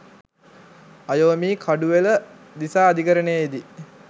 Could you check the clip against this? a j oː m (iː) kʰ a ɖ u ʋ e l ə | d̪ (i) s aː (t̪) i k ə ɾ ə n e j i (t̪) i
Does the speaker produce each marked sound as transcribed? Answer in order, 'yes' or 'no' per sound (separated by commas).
yes, yes, no, no